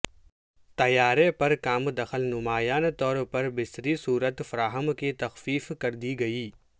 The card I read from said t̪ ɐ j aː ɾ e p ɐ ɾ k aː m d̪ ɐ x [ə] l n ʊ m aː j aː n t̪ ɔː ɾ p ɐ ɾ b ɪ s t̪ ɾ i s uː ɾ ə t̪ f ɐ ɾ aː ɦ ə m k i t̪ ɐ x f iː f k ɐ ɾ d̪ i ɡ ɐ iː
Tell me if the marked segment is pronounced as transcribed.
yes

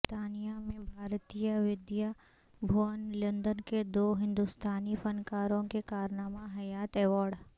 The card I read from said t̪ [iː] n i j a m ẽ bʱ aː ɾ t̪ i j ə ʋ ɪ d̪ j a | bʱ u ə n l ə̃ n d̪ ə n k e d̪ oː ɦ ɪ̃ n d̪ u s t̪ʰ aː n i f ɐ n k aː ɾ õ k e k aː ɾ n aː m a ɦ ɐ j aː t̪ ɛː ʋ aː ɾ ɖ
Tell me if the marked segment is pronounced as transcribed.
no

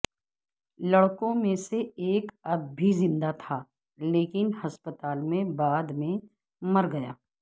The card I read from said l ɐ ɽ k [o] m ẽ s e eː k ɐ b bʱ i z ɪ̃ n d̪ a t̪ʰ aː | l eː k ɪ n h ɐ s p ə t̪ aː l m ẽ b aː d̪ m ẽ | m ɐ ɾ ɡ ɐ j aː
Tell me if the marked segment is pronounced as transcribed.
no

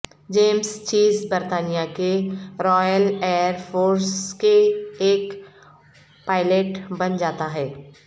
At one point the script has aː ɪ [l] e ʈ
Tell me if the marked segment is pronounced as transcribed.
yes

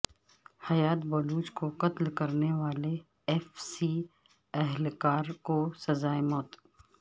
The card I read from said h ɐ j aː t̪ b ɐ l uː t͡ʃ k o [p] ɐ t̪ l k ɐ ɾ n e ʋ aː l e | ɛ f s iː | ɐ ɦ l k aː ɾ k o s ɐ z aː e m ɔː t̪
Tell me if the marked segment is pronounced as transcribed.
no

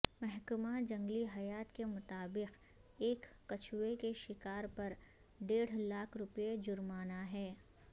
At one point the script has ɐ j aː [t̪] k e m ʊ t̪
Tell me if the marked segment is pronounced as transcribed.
yes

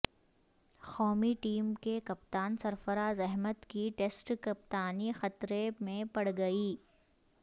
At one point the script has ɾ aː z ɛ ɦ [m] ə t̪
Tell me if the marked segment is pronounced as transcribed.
yes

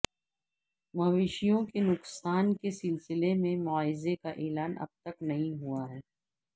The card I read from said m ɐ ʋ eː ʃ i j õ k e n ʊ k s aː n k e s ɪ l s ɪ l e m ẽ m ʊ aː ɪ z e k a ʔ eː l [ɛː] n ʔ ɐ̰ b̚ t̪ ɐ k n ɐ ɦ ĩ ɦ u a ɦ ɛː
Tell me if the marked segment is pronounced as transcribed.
no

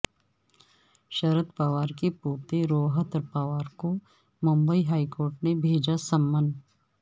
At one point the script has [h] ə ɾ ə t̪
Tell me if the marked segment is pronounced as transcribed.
no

